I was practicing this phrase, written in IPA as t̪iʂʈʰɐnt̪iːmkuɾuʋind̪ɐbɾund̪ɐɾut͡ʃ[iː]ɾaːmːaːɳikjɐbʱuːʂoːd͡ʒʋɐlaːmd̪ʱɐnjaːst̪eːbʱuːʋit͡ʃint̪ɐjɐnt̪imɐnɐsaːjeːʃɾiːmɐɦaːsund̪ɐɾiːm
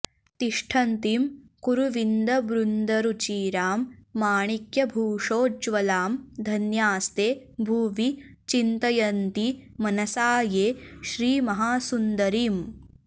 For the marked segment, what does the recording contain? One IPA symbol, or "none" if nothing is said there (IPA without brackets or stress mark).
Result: iː